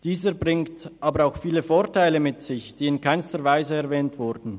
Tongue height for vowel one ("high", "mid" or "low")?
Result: high